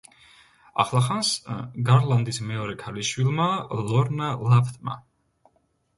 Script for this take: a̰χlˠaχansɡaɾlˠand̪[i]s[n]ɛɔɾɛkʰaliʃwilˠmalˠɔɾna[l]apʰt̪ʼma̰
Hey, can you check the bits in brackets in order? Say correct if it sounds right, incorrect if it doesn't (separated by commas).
correct, incorrect, correct